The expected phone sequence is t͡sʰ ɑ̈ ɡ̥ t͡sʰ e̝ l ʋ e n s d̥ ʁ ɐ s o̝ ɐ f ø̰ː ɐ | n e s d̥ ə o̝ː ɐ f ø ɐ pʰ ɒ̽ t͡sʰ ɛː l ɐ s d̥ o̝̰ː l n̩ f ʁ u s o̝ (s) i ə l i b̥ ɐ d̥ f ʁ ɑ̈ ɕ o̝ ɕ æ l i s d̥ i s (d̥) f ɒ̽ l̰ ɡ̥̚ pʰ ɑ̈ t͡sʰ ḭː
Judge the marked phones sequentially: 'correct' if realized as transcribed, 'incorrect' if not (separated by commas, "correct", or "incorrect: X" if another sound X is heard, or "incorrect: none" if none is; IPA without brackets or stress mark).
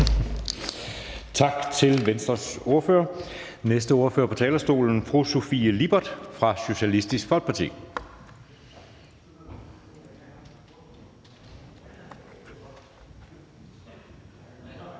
incorrect: f, incorrect: ɡ̥